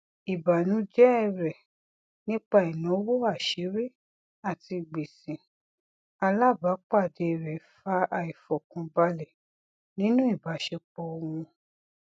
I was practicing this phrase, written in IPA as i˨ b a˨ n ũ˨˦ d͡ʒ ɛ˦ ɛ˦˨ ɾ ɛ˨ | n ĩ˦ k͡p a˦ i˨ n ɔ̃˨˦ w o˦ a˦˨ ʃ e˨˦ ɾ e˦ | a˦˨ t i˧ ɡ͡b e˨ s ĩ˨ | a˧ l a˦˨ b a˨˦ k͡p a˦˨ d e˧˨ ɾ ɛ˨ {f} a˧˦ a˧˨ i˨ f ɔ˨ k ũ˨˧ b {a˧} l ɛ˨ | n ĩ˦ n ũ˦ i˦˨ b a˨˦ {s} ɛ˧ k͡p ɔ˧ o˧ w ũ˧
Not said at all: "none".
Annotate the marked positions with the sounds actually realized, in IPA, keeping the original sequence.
f, a˧, ʃ

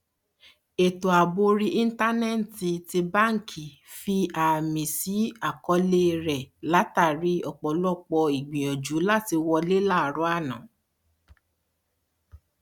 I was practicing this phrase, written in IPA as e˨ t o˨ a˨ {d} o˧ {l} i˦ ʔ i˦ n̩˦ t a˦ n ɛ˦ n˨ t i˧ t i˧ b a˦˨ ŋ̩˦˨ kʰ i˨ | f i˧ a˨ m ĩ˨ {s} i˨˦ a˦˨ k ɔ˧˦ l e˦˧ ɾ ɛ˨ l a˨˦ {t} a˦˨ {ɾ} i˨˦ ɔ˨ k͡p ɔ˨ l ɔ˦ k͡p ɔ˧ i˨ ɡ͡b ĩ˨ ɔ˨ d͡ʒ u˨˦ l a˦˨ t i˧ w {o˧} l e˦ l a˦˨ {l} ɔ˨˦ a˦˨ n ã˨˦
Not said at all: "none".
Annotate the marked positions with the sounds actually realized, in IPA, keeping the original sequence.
b, ɾ, s, t, ɾ, ɔ˧, ɾ

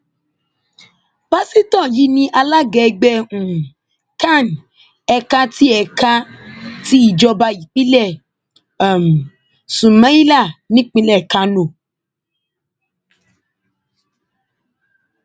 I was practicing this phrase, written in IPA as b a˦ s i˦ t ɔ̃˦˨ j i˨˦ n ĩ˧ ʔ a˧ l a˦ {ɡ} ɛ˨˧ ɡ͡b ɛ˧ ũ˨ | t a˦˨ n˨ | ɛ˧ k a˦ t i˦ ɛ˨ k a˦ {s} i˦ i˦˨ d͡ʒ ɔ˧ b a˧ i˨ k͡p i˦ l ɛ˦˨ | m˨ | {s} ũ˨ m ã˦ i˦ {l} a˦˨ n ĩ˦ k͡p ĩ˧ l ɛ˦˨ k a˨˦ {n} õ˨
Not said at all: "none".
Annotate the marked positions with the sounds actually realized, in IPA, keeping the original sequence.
ɡ, t, s, l, n

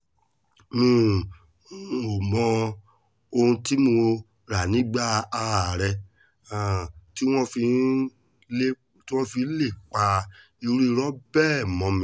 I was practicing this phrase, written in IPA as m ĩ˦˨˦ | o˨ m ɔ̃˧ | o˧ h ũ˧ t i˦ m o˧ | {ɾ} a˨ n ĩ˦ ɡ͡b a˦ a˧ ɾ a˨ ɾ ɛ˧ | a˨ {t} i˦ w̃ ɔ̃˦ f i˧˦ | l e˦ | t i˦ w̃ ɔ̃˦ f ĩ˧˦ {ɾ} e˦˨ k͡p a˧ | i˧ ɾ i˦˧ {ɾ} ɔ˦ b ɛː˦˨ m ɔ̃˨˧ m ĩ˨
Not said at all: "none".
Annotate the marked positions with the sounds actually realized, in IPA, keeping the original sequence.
ɾ, t, l, ɾ

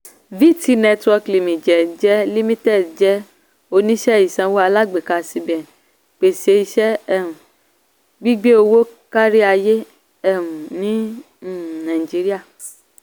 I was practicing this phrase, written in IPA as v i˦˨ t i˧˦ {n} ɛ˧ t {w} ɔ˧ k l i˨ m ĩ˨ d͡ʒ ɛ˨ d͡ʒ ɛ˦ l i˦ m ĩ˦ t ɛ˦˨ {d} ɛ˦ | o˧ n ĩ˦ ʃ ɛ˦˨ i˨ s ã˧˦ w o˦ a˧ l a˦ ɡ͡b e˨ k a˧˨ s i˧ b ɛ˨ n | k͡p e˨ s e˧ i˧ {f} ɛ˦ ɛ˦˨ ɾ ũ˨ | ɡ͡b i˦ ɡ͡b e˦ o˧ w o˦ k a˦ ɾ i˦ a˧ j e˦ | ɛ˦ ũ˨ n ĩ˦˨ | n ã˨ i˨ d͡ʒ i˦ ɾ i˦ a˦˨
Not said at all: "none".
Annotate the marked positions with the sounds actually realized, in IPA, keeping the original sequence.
n, w, d͡ʒ, ʃ

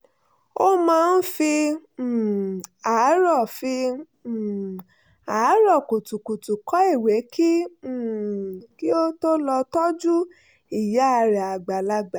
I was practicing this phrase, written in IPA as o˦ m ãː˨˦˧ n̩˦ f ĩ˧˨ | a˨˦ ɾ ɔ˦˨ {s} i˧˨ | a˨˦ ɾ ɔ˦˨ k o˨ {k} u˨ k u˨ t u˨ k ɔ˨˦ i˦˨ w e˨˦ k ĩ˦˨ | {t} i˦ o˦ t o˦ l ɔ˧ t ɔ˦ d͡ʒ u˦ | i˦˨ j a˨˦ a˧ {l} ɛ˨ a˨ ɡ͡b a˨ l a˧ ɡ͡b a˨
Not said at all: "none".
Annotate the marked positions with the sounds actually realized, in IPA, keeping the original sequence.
f, t, k, ɾ

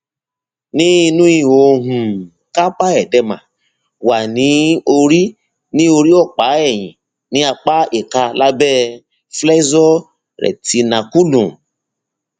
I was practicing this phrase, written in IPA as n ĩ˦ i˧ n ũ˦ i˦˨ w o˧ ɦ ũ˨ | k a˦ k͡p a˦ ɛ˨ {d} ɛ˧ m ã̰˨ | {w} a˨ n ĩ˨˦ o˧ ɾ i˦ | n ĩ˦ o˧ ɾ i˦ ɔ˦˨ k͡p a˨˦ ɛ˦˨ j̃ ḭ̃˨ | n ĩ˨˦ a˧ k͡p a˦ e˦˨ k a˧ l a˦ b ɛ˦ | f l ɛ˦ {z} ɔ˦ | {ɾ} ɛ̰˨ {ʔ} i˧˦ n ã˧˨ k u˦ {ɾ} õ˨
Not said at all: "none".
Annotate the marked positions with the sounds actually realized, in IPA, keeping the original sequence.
d, w, z, ɾ, t, l

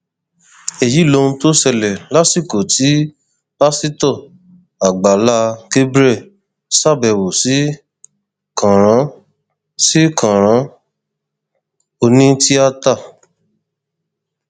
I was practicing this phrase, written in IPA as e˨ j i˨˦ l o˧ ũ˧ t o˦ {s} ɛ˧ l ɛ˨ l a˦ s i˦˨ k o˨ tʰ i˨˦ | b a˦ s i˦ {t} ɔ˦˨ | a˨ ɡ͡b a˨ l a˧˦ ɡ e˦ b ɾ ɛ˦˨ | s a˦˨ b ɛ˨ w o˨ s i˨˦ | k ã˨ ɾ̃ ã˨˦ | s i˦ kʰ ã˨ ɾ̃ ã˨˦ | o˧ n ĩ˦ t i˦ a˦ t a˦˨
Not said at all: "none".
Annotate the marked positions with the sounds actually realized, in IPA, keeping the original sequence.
s, t

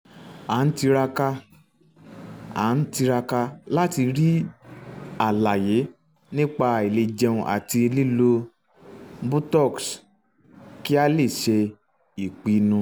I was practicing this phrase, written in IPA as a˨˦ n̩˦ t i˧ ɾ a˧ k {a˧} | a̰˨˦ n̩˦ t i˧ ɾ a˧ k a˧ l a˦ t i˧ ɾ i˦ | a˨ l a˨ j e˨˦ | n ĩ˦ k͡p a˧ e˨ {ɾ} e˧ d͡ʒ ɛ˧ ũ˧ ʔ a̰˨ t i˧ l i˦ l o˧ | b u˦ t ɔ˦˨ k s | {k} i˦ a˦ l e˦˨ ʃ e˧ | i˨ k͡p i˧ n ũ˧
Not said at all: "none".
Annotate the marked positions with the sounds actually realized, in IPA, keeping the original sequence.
a˧, l, k

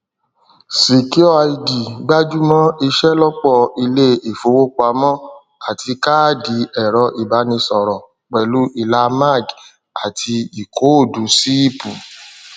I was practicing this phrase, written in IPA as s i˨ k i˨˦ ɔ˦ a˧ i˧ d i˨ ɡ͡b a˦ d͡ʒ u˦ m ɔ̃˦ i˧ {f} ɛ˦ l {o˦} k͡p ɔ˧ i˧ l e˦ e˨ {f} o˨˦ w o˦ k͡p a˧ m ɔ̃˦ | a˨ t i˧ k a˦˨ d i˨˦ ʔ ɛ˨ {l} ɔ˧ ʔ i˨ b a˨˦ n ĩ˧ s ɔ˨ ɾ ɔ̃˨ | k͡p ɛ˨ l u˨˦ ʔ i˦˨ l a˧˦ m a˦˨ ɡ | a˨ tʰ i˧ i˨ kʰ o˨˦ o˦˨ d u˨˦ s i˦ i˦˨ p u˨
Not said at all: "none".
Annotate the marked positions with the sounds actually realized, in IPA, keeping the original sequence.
ʃ, ɔ˦, f, ɾ

